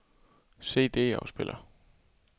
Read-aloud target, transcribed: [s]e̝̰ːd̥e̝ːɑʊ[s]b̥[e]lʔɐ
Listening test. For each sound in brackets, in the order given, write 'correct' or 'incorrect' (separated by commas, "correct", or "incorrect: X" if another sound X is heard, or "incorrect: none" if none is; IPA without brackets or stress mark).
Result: correct, correct, correct